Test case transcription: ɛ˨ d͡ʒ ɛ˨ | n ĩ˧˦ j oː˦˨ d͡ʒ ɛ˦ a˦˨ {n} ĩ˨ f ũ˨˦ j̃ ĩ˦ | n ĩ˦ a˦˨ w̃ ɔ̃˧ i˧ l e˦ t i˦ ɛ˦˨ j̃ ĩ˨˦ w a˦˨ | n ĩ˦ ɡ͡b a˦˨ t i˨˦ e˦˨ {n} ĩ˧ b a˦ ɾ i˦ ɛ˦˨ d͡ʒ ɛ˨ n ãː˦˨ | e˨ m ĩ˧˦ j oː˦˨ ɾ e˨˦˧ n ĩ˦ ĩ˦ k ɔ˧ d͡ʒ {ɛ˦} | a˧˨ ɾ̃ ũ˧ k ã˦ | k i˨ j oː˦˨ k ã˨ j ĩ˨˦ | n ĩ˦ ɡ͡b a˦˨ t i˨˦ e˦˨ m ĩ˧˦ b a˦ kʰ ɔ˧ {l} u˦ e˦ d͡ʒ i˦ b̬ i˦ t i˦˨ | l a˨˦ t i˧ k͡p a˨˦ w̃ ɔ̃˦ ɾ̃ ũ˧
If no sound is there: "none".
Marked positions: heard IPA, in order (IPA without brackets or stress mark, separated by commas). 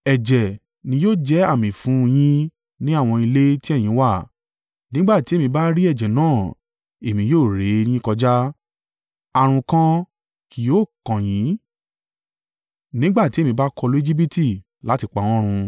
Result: m, m, a˦, l